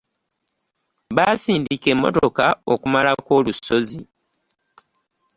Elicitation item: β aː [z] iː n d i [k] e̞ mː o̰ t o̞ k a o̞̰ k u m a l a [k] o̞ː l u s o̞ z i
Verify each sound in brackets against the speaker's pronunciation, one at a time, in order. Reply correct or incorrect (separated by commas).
incorrect, correct, correct